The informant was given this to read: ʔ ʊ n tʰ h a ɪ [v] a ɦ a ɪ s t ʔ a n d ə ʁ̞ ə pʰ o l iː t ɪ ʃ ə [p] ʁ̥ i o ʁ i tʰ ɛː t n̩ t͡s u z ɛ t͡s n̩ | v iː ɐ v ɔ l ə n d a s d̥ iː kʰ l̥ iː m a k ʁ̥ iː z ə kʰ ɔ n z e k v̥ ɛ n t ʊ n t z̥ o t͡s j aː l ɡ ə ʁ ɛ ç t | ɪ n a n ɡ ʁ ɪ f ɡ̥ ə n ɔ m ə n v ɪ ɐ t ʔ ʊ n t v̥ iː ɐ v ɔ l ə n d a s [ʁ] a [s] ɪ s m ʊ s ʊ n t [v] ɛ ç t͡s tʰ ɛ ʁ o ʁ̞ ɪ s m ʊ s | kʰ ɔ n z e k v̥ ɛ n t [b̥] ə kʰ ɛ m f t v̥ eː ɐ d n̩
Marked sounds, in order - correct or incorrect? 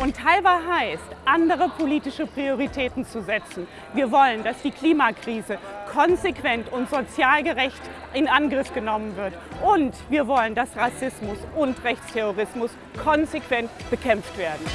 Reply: correct, correct, correct, correct, incorrect: ʁ, correct

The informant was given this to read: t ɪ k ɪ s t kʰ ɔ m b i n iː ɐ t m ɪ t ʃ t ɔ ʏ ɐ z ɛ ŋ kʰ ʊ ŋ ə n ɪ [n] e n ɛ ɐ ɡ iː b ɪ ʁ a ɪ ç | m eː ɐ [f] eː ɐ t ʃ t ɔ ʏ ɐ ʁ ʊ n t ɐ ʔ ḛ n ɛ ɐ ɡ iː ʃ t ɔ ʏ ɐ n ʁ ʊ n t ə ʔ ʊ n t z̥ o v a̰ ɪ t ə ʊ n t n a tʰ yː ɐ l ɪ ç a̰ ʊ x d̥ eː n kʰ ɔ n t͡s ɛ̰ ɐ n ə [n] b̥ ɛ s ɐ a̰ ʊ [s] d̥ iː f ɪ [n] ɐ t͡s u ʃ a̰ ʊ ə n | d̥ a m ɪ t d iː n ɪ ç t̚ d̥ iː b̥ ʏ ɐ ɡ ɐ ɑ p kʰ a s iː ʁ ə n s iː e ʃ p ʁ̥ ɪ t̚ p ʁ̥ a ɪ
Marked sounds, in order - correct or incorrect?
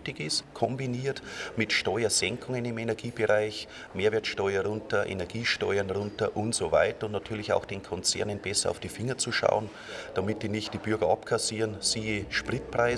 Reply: incorrect: m, incorrect: v, correct, incorrect: f, incorrect: ŋ

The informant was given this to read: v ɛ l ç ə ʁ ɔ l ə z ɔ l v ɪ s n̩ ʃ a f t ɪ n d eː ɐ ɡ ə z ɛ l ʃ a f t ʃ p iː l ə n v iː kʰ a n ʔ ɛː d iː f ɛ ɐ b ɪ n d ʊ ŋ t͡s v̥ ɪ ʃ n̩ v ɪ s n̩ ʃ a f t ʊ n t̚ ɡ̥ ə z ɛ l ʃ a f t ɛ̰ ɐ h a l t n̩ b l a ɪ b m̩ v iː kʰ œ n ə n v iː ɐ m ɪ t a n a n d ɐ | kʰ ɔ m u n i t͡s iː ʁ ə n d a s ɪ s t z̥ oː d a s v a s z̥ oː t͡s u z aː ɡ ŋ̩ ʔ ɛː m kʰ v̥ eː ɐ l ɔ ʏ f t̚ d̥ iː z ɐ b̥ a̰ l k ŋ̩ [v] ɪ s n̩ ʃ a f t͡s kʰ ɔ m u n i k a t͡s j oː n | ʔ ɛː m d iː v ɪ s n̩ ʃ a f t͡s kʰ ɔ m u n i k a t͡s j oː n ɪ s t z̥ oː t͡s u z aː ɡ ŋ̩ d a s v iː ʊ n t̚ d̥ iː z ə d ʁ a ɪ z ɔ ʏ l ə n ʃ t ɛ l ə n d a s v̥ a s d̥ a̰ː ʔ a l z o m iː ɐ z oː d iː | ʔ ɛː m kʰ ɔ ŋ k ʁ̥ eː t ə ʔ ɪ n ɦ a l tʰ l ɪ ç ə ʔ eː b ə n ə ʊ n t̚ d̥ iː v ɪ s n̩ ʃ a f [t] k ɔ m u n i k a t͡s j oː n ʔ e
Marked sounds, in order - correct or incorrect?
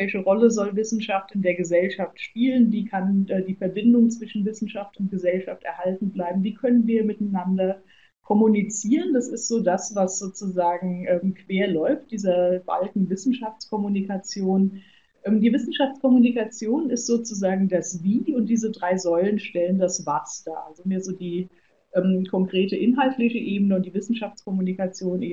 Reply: correct, incorrect: t͡s

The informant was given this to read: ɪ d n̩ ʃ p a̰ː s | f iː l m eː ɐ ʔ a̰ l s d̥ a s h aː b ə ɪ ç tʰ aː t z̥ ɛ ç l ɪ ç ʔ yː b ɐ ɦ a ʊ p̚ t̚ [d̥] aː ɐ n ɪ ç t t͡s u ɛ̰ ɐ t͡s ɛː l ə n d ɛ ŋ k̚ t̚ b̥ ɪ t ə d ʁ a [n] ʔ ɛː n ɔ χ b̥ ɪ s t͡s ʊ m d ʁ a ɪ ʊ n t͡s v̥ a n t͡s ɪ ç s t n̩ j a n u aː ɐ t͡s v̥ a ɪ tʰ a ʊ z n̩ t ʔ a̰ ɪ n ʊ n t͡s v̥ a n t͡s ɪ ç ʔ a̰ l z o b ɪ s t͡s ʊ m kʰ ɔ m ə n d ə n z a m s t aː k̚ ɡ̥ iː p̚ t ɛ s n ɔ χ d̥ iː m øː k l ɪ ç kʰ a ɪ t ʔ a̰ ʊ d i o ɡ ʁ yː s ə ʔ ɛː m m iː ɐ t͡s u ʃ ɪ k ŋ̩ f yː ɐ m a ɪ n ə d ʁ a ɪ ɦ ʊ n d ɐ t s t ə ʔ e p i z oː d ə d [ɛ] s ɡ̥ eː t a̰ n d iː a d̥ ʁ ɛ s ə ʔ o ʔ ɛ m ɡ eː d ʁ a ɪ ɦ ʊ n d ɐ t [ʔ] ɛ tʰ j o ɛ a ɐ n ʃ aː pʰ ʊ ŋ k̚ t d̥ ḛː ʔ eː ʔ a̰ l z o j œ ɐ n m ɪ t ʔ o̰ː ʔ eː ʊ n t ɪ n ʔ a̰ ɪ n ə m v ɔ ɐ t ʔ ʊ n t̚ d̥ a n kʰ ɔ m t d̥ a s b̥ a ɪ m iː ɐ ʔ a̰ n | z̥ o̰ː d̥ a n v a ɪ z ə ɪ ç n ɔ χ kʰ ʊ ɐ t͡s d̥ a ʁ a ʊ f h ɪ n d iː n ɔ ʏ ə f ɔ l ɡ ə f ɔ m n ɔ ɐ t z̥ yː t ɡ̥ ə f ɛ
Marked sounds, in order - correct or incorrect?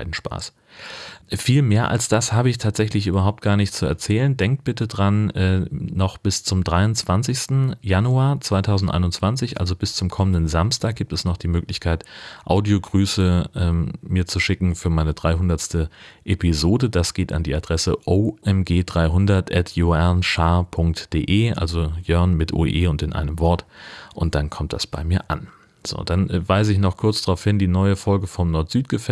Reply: incorrect: ɡ̥, correct, incorrect: a, correct

